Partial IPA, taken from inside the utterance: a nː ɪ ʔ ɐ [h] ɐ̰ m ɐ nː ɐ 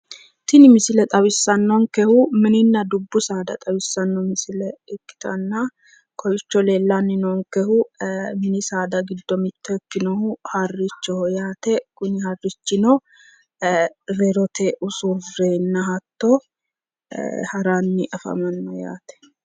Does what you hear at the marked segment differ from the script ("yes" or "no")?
yes